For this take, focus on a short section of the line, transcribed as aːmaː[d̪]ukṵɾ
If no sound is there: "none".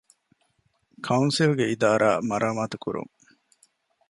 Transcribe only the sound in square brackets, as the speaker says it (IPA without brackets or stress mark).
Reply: t̪